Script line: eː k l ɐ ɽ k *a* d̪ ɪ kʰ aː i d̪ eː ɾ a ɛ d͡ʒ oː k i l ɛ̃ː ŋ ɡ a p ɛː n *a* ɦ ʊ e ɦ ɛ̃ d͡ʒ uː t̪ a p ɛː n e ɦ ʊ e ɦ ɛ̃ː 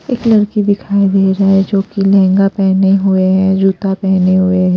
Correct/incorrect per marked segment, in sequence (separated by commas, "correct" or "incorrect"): incorrect, incorrect